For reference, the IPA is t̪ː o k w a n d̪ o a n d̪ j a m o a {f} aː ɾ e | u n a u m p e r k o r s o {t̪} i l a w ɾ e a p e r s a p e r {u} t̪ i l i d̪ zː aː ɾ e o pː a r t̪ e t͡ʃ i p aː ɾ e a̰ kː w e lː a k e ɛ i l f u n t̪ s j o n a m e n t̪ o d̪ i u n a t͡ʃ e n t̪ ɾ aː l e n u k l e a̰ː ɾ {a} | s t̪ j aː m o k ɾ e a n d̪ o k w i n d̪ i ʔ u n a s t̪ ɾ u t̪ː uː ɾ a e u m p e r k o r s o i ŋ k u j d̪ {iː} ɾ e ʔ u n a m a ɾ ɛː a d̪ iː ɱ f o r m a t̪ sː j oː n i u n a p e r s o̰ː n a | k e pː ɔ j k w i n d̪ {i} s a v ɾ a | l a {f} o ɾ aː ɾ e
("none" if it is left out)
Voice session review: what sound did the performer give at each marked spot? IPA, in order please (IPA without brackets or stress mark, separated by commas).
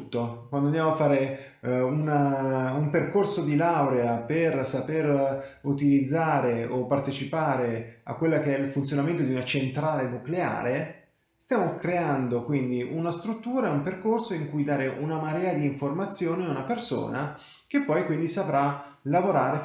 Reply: fː, d̪, u, e, aː, i, v